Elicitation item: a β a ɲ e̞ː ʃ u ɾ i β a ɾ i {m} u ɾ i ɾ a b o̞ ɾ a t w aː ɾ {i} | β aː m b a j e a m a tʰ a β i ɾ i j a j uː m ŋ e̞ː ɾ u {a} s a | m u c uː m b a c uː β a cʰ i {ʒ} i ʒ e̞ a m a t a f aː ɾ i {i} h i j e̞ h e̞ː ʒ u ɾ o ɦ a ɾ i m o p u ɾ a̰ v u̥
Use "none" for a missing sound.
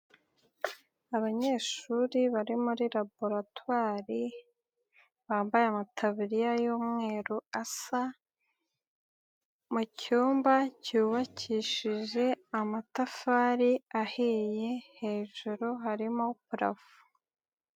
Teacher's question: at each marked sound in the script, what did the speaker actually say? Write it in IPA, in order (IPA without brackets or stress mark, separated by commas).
m, i, a, ʃ, a